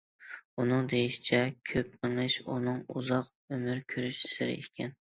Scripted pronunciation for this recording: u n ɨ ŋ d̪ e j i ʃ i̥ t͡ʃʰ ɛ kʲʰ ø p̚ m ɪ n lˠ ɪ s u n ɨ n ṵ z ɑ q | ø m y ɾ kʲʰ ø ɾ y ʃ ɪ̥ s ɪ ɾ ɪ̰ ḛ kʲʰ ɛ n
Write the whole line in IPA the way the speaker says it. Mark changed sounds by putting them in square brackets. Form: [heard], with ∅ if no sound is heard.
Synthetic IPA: u n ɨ ŋ d̪ e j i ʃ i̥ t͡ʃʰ ɛ kʲʰ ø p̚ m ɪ [ŋ] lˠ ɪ [ʃ] u n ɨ [ŋ] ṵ z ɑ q | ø m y ɾ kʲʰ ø ɾ y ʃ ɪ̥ s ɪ ɾ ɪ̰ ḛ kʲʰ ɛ n